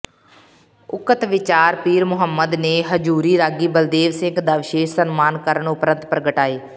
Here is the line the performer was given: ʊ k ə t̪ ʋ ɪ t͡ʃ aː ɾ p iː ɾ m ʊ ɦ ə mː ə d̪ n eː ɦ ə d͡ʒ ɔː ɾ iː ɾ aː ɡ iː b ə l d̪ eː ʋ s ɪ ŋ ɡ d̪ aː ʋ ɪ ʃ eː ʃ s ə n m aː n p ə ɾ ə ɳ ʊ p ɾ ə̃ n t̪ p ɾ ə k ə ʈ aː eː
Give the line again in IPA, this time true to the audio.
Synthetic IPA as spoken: ʊ k ə t̪ ʋ ɪ t͡ʃ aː ɾ p iː ɾ m ʊ ɦ ə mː ə d̪ n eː ɦ ə d͡ʒ uː ɾ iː ɾ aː ɡ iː b ə l d̪ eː ʋ s ɪ ŋ ɡ d̪ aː ʋ ɪ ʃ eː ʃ s ə n m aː n k ə ɾ ə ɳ ʊ p ɾ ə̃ n t̪ p ɾ ə ɡ ə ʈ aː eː